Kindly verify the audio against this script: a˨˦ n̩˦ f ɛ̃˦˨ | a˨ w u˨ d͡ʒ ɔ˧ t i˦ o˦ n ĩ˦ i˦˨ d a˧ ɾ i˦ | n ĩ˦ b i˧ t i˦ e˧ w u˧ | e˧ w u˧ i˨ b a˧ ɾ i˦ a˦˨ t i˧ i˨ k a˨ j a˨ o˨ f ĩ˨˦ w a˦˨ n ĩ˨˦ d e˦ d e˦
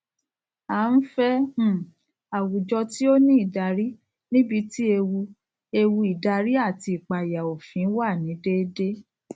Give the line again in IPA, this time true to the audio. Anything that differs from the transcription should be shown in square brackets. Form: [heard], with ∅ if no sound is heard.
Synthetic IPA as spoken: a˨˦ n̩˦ f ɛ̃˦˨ | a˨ w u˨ d͡ʒ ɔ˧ t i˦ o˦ n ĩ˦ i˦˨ d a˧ ɾ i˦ | n ĩ˦ b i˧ t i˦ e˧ w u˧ | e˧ w u˧ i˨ [d] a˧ ɾ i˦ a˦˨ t i˧ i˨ [k͡p] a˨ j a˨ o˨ f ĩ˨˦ w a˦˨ n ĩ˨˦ d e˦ d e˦